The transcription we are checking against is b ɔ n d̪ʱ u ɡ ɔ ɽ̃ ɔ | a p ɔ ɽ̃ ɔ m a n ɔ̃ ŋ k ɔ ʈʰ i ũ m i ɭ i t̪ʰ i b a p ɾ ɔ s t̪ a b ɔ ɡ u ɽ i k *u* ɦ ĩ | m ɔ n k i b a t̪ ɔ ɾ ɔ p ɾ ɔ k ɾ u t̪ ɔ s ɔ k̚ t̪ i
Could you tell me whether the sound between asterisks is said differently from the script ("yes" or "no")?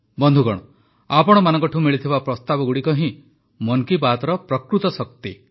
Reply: yes